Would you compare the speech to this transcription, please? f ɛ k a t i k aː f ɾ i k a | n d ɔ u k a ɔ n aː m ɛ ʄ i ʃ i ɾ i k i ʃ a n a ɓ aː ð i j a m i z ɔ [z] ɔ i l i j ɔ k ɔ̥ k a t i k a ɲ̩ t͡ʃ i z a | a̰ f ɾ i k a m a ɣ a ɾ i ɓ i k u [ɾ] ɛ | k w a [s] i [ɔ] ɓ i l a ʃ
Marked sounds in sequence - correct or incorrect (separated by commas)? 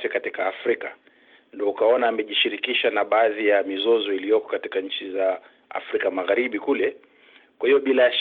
correct, incorrect, incorrect, correct